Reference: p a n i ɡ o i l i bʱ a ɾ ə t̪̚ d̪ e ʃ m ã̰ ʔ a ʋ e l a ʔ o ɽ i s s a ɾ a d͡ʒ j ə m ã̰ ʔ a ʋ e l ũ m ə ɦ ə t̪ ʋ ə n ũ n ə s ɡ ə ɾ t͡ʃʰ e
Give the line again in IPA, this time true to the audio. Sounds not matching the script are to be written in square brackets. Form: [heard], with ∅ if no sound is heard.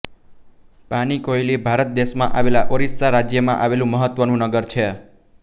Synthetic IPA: p a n i [k] o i l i bʱ a ɾ ə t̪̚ d̪ e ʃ m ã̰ ʔ a ʋ e l a ʔ o [ɾ] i s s a ɾ a d͡ʒ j ə m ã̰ ʔ a ʋ e l ũ m ə ɦ ə t̪ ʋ ə n ũ n ə [∅] ɡ ə ɾ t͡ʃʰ e